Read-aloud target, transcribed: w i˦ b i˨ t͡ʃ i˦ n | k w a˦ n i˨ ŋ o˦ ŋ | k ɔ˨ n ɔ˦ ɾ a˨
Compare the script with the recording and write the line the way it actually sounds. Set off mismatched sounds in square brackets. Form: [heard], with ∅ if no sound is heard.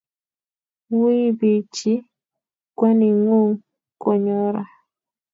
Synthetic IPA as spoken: w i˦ b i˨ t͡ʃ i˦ [∅] | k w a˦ n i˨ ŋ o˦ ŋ | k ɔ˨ [ɲ] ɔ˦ ɾ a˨

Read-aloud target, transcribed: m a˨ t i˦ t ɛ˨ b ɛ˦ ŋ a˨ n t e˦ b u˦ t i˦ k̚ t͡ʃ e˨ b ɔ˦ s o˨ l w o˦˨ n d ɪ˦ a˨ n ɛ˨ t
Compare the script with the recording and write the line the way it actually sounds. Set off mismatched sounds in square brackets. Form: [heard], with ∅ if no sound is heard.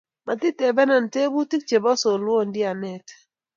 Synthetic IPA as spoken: m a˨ t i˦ t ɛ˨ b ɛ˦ [n] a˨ n t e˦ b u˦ t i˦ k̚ t͡ʃ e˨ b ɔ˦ s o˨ l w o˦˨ n d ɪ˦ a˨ n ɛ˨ t

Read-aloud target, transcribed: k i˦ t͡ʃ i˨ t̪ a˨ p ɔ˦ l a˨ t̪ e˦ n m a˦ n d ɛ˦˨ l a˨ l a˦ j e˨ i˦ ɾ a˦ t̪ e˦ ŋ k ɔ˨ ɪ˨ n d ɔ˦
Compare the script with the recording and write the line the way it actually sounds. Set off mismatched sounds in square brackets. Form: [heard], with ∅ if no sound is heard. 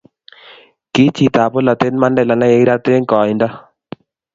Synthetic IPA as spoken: k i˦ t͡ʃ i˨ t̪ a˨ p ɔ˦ l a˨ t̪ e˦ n m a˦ n d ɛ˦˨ l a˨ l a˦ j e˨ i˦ ɾ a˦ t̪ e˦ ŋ k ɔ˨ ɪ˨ n d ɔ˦

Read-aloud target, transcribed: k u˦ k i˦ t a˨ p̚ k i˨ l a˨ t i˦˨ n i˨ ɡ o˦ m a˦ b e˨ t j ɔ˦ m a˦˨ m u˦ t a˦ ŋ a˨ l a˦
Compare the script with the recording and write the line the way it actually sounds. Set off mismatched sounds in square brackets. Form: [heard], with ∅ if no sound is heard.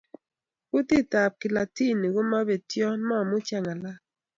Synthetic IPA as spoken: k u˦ [t] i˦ t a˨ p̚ k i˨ l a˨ t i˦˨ n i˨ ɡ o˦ m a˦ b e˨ t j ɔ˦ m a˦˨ m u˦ [t͡ʃ] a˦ ŋ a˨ l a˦

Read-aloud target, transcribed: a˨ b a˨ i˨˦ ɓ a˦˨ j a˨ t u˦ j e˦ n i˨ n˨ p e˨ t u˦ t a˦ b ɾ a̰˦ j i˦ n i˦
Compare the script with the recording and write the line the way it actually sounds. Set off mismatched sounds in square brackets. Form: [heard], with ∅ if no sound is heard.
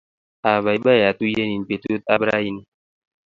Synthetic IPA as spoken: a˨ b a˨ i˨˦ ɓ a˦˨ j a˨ t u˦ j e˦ n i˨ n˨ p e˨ t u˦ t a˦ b ɾ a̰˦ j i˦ n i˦

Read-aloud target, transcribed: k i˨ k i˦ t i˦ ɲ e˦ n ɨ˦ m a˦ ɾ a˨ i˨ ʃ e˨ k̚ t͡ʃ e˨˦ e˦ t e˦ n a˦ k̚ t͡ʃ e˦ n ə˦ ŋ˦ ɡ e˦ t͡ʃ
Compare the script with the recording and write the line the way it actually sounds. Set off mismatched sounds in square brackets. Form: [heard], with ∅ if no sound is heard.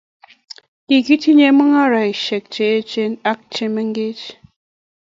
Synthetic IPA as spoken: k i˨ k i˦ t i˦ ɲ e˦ [m] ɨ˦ [ŋ] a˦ ɾ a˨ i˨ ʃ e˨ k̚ t͡ʃ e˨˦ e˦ [t͡ʃ] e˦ n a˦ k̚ t͡ʃ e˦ [m] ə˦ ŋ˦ ɡ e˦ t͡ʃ

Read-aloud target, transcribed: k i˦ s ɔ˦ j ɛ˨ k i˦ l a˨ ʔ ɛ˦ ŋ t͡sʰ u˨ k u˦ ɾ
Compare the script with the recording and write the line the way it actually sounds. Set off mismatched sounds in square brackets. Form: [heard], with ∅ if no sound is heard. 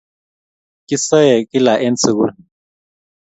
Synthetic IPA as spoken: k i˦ s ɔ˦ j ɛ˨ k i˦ l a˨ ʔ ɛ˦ [n] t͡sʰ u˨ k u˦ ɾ

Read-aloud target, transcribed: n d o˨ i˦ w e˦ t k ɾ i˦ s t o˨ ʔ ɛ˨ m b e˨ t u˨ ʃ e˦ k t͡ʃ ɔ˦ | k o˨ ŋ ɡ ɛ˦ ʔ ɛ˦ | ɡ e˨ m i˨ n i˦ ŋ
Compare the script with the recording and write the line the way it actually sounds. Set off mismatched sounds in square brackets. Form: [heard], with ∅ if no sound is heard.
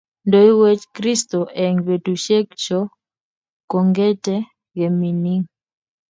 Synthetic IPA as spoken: n d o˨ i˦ w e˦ [t͡ʃ] k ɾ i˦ s t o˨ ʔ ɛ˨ [ŋ] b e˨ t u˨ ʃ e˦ k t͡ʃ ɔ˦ | k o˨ ŋ ɡ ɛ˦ [t] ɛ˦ | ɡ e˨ m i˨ n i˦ ŋ

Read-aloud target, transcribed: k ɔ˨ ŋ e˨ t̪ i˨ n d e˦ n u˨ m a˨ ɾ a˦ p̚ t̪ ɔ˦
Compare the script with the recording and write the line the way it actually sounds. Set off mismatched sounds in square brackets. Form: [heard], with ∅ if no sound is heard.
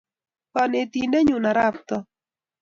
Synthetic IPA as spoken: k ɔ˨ [n] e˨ t̪ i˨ n d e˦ [ɲ] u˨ [n] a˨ ɾ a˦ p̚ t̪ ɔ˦

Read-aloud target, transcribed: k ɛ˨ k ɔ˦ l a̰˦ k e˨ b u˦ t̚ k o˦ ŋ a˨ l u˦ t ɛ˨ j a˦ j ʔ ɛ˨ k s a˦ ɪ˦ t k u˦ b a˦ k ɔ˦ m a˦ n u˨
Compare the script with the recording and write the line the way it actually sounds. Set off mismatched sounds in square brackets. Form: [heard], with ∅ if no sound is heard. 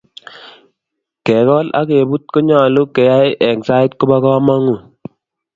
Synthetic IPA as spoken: k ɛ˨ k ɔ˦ l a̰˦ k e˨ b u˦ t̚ k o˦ [ɲ] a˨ l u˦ [k] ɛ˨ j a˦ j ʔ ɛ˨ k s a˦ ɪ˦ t k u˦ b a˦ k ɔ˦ m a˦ [ŋ] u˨

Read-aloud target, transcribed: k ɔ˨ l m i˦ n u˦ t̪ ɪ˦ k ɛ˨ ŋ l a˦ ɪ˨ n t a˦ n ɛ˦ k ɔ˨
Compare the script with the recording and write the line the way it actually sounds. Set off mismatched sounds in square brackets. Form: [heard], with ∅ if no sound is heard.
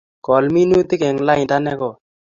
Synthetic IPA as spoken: k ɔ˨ l m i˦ n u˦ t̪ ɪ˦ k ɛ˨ ŋ l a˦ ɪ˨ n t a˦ n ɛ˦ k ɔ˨

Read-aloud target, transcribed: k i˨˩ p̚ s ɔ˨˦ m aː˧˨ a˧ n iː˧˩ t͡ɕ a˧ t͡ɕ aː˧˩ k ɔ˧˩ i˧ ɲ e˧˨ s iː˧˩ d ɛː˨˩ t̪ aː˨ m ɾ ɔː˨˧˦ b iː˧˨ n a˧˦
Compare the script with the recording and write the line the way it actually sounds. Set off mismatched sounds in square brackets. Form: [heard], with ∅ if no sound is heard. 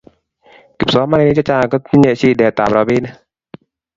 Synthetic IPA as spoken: k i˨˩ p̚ s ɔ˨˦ m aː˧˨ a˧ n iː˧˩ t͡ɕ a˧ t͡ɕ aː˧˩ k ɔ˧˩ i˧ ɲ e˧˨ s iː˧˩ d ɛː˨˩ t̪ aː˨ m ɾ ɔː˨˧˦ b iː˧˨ n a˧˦

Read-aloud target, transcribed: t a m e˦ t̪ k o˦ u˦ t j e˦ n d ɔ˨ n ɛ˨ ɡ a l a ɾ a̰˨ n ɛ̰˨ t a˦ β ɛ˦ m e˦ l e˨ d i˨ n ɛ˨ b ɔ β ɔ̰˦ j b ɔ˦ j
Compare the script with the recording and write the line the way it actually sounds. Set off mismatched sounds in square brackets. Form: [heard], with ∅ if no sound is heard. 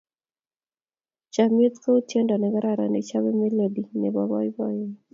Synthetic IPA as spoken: [t͡ʃ] a m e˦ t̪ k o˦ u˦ t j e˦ n d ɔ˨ n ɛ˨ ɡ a [ɾ] a ɾ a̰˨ n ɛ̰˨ [t͡ʃ] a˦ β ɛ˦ m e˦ l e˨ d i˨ n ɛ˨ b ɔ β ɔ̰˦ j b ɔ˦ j

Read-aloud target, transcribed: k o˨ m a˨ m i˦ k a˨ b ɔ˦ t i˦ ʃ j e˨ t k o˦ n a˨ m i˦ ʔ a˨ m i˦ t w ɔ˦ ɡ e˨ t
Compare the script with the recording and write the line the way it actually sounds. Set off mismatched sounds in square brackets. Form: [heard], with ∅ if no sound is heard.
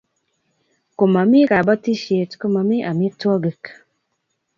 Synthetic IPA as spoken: k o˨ m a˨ m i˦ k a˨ b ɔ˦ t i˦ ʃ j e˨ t k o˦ [m] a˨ m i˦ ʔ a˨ m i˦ t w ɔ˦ ɡ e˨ [k]

